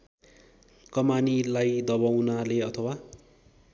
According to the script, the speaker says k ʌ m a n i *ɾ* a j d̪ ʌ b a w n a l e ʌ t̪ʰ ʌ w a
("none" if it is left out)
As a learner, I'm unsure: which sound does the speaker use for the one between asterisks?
l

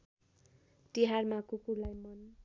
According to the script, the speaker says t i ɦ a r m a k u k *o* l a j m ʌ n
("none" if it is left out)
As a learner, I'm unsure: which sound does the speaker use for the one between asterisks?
u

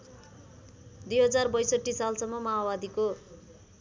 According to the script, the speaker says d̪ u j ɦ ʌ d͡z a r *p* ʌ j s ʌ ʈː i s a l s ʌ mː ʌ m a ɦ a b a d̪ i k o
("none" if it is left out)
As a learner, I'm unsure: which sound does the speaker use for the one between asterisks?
b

